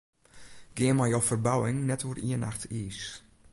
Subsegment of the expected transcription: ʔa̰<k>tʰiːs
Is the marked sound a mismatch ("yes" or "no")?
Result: yes